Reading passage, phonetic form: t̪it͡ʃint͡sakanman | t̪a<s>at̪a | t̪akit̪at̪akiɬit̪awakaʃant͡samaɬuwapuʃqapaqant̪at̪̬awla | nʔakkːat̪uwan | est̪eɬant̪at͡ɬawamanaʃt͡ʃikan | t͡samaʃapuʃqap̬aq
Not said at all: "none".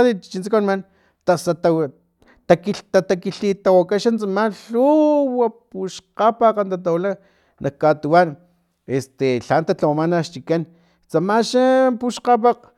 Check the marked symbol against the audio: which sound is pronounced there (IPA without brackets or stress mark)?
s